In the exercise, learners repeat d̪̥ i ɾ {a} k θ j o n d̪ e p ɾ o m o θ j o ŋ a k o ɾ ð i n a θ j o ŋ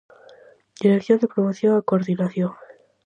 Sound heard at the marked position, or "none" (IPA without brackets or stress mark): e